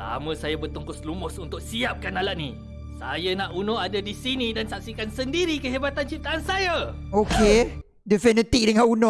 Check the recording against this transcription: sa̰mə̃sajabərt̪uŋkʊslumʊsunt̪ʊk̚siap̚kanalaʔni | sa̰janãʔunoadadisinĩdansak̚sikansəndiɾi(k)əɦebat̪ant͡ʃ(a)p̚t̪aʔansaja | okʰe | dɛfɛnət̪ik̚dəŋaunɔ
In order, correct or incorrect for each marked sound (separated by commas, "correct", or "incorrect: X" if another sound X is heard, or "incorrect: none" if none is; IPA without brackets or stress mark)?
correct, incorrect: i